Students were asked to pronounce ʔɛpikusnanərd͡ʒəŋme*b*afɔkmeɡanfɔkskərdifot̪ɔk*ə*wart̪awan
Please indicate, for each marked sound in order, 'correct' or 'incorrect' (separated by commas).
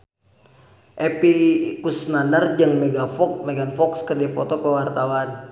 incorrect, correct